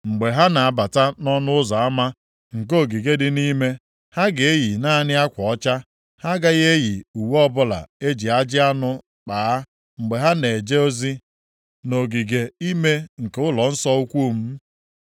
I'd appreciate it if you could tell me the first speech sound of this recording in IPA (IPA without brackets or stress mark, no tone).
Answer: ŋ͡m̩